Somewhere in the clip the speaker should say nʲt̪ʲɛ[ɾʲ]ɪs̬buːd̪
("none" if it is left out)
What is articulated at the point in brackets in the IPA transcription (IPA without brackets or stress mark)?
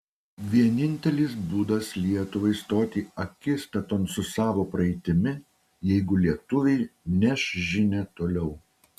lʲ